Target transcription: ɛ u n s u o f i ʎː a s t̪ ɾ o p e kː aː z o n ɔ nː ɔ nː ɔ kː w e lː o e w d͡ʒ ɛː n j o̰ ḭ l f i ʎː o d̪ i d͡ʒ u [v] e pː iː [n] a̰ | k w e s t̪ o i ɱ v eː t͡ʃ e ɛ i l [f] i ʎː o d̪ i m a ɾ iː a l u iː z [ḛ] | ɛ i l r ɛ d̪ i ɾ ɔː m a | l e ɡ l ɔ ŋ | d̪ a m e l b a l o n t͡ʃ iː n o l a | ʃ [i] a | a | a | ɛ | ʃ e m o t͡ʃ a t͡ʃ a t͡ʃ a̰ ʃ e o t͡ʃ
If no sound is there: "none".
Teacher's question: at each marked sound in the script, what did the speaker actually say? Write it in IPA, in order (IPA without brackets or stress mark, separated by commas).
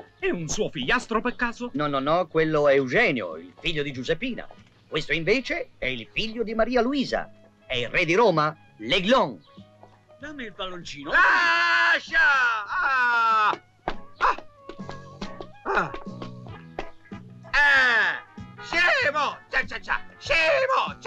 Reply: z, n, f, a̰, a